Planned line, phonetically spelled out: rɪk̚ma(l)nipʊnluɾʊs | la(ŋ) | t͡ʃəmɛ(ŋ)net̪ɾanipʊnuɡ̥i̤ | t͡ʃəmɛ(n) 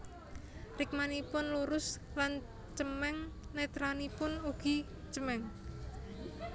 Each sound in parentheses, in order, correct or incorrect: incorrect, incorrect, correct, incorrect

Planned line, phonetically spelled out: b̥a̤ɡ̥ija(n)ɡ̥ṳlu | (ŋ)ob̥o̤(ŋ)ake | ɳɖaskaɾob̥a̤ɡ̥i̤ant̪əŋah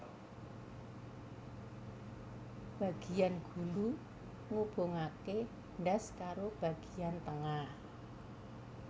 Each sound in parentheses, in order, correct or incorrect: correct, correct, correct

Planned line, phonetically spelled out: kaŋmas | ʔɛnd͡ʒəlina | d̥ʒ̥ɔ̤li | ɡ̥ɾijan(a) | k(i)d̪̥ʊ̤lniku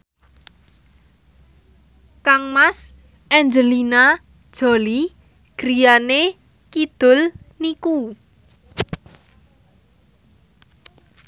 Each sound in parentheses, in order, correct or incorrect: incorrect, correct

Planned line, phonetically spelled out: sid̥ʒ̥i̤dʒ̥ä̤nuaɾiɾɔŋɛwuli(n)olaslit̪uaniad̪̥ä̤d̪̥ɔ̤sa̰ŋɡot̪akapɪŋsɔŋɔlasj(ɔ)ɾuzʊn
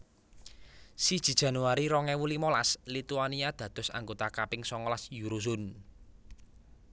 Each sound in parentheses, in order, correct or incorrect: incorrect, incorrect

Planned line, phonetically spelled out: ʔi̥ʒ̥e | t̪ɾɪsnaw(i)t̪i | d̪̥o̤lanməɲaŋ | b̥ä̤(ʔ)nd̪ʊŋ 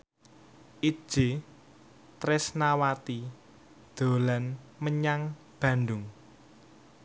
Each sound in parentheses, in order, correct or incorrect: incorrect, incorrect

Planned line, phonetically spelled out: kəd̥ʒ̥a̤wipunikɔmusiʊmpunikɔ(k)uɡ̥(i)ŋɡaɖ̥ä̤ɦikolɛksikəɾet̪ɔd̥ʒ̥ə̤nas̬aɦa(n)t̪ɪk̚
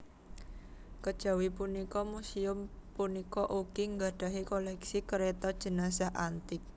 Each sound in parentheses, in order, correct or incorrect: incorrect, correct, correct

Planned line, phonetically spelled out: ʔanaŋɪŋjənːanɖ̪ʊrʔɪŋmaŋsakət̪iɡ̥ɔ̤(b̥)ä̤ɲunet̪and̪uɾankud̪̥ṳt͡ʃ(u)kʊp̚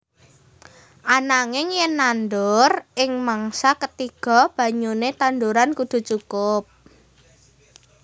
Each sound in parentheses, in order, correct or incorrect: correct, correct

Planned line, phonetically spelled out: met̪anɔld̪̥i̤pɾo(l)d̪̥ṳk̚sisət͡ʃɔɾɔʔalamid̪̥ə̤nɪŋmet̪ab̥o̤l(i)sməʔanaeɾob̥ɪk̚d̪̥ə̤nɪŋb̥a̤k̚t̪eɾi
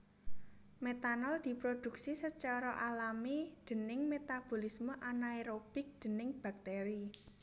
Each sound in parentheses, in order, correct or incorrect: incorrect, correct

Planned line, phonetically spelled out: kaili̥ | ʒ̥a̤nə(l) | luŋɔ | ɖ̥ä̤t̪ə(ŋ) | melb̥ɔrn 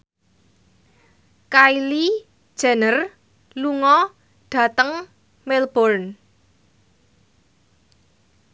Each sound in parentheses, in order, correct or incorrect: incorrect, correct

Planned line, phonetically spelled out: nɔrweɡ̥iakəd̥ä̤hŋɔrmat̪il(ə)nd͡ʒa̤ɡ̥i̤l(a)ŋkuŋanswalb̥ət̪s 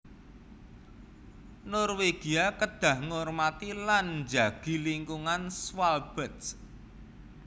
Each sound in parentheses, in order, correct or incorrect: incorrect, incorrect

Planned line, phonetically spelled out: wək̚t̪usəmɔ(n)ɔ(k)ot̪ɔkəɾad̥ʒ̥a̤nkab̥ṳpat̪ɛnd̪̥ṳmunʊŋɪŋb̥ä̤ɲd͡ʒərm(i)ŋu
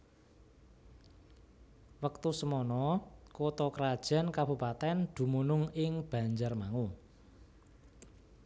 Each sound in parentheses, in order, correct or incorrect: correct, correct, incorrect

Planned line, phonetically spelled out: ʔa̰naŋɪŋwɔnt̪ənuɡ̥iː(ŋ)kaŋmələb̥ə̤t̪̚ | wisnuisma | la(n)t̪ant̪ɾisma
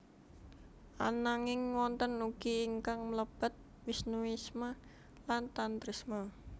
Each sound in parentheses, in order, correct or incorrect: correct, correct

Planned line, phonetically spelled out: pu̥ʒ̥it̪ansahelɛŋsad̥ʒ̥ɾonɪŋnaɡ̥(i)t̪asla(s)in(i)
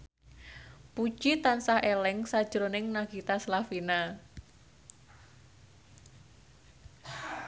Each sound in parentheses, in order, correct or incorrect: correct, incorrect, incorrect

